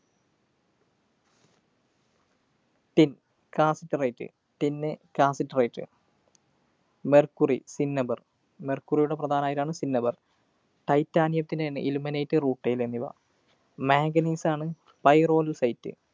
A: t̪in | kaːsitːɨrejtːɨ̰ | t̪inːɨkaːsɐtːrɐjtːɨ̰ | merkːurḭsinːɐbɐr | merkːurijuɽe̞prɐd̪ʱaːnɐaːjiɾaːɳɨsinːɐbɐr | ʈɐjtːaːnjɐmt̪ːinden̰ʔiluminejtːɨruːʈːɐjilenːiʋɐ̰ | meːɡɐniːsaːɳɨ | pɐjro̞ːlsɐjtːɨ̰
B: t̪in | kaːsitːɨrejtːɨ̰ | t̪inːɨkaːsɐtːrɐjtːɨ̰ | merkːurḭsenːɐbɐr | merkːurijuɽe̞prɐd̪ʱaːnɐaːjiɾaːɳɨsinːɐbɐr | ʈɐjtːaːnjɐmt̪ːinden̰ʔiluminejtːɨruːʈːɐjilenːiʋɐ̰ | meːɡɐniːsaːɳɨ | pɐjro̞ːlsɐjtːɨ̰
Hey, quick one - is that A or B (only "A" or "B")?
A